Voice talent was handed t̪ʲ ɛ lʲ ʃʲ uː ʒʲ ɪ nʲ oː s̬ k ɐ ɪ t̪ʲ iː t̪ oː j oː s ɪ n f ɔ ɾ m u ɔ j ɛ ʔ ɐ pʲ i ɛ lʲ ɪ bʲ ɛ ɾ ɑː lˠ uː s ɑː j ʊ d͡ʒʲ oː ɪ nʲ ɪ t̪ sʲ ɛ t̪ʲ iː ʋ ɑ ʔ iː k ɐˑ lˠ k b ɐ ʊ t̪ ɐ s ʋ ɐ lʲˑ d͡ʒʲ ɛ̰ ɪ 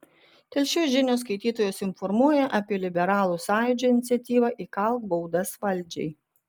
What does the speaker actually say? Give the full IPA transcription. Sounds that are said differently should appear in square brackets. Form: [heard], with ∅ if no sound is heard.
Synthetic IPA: t̪ʲ ɛ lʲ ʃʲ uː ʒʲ ɪ nʲ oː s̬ k ɐ ɪ t̪ʲ iː t̪ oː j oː s ɪ n f ɔ ɾ m u ɔ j ɛ ʔ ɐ pʲ i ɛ lʲ ɪ bʲ ɛ ɾ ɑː lˠ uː s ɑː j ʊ d͡ʒʲ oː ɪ nʲ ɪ t̪ sʲ ɛ t̪ʲ iː ʋ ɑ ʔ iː k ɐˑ lˠ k b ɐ ʊ [d̪] ɐ s ʋ ɐ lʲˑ d͡ʒʲ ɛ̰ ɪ

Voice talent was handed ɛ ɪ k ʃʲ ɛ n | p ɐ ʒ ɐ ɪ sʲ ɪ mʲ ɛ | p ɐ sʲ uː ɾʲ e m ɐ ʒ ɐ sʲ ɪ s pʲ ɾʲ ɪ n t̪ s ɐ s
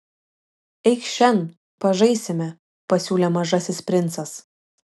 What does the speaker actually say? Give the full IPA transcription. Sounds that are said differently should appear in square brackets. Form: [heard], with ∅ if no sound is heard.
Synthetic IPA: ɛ ɪ k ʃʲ ɛ n | p ɐ ʒ ɐ ɪ sʲ ɪ mʲ ɛ | p ɐ sʲ uː [lʲ] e m ɐ ʒ ɐ sʲ ɪ s pʲ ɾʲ ɪ n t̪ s ɐ s

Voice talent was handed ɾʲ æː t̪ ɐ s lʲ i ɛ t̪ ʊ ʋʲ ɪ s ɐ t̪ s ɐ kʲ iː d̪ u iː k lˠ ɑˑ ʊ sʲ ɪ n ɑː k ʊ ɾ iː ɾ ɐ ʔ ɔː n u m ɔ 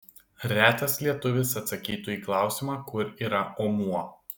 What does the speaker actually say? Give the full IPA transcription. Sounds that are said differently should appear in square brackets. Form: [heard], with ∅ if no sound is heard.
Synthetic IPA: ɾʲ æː t̪ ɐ s lʲ i ɛ t̪ ʊ ʋʲ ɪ s ɐ t̪ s ɐ kʲ iː [t̪] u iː k lˠ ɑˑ ʊ sʲ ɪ [m] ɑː k ʊ ɾ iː ɾ ɐ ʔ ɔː [m] u [∅] ɔ

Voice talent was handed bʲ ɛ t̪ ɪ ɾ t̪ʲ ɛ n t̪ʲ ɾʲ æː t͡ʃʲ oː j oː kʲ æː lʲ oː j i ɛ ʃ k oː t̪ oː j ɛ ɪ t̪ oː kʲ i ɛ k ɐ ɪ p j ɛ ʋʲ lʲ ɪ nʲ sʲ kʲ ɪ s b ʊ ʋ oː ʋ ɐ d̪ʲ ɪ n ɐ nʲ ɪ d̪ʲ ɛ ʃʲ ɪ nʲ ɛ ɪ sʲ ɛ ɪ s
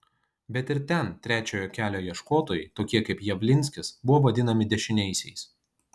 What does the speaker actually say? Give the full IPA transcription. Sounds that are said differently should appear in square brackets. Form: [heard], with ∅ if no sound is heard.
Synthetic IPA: bʲ ɛ t̪ ɪ ɾ t̪ʲ ɛ n t̪ʲ ɾʲ æː t͡ʃʲ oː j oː kʲ æː lʲ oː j i ɛ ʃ k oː t̪ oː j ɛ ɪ t̪ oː kʲ i ɛ k ɐ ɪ p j ɛ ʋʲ lʲ ɪ nʲ sʲ kʲ ɪ s b ʊ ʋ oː ʋ ɐ d̪ʲ ɪ n ɐ [mʲ] ɪ d̪ʲ ɛ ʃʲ ɪ nʲ ɛ ɪ sʲ ɛ ɪ s

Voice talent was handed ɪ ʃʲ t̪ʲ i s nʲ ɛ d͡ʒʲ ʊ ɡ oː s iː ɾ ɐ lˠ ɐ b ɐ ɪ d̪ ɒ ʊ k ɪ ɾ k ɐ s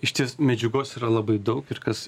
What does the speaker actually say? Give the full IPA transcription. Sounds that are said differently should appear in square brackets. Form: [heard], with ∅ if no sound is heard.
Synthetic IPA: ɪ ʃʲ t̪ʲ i s [mʲ] ɛ d͡ʒʲ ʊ ɡ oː s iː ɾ ɐ lˠ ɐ b ɐ ɪ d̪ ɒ ʊ k ɪ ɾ k ɐ s

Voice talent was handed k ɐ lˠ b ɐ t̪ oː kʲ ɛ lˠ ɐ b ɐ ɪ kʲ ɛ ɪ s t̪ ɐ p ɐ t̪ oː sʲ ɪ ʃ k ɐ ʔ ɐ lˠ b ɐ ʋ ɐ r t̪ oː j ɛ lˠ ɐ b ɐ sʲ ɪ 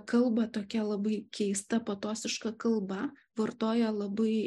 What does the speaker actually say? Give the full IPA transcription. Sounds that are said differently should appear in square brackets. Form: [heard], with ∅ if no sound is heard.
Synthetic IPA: k ɐ lˠ b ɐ t̪ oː kʲ ɛ lˠ ɐ b ɐ ɪ kʲ ɛ ɪ s t̪ ɐ p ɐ t̪ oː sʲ ɪ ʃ k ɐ [k] ɐ lˠ b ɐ ʋ ɐ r t̪ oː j ɛ lˠ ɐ b ɐ [∅] ɪ

